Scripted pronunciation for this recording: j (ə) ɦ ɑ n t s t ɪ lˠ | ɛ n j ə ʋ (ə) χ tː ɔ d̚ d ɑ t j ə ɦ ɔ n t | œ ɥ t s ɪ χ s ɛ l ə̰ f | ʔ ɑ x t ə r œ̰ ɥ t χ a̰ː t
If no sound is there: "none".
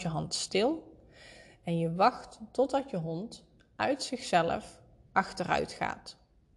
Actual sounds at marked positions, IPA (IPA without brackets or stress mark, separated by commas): ə, ɑ